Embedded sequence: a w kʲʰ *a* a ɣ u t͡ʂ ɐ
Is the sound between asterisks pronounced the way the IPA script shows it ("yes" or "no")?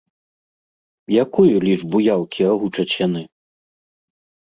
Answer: no